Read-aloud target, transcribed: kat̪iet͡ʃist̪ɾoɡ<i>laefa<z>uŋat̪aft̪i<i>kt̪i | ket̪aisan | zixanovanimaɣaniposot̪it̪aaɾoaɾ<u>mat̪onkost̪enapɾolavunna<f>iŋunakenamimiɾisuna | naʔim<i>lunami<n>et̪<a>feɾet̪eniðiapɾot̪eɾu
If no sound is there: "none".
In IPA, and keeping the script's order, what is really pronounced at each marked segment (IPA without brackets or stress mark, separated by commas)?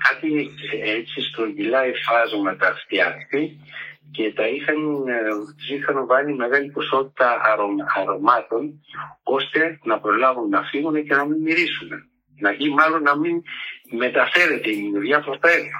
i, z, a, o, f, a, m, a